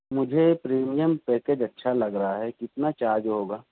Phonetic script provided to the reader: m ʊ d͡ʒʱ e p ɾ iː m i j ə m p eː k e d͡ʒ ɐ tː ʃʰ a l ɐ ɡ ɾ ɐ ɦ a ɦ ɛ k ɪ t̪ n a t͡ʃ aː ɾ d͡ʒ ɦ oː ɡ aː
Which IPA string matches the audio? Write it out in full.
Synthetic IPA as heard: m ʊ d͡ʒʱ e p ɾ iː m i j ə m p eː k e d͡ʒ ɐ tː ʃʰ a l ɐ ɡ ɾ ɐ ɦ a ɦ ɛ k ɪ t̪ n a t͡ʃ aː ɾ d͡ʒ ɦ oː ɡ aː

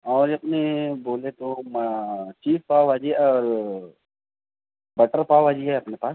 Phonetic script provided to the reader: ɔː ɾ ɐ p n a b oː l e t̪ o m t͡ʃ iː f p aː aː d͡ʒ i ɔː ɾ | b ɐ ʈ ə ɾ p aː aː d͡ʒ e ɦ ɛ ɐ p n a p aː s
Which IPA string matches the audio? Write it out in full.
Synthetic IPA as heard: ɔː ɾ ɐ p n e b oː l e t̪ o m t͡ʃ iː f p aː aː d͡ʒ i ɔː ɾ | b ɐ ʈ ə ɾ p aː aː d͡ʒ i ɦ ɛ ɐ p n e p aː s

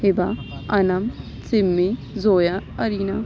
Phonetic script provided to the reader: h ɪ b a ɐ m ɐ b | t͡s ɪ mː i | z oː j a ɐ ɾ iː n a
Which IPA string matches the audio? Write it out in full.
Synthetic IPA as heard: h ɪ b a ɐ n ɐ m | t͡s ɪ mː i | z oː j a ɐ ɾ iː n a

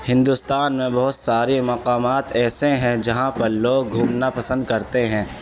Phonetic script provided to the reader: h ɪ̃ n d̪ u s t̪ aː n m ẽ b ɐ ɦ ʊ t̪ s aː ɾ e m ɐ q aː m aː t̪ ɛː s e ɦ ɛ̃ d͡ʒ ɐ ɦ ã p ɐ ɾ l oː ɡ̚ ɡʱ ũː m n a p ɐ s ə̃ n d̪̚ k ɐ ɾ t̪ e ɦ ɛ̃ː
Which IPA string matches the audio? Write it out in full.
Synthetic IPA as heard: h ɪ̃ n d̪ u s t̪ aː n m ẽ b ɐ ɦ ʊ t̪ s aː ɾ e m ɐ q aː m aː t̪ ɛː s e ɦ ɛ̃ d͡ʒ ɐ ɦ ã p ɐ ɾ l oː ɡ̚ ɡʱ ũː m n a p ɐ s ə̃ n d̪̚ k ɐ ɾ t̪ e ɦ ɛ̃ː

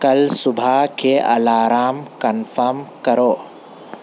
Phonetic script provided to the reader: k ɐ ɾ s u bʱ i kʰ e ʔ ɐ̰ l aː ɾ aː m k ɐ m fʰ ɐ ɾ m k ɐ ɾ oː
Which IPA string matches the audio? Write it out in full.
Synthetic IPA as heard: k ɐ l s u bʱ a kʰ e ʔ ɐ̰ l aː ɾ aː m k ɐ n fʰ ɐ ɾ m k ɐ ɾ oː

